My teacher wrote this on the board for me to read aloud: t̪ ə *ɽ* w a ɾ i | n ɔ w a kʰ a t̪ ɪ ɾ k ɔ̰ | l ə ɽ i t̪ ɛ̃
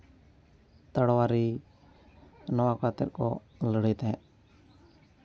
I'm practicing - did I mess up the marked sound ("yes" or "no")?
no